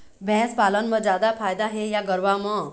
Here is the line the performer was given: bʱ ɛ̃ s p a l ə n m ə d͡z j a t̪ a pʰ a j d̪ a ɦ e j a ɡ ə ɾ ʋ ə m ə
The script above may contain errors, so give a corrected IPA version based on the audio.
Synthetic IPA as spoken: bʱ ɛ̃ s p a l ə n m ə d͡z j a d̪ a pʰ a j d̪ a ɦ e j a ɡ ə ɾ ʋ a m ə